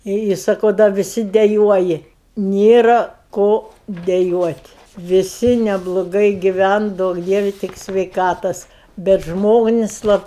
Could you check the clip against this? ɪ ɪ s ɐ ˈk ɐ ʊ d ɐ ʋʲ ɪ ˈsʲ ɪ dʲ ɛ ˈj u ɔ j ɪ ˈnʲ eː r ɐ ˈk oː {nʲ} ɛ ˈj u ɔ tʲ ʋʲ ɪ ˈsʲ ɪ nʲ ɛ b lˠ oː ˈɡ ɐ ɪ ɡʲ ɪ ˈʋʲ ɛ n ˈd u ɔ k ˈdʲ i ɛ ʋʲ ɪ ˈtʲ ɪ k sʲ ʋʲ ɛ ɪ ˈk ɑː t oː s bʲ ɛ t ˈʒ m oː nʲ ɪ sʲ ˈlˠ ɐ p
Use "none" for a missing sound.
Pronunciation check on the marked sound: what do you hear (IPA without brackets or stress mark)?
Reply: dʲ